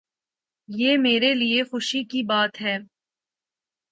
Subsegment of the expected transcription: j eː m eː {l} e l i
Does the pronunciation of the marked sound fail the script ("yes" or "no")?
yes